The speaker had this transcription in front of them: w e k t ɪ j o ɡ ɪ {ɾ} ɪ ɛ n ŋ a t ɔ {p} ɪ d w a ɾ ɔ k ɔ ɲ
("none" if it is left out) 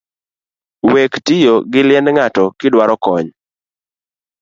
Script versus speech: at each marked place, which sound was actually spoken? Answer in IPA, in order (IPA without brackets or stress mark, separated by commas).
l, k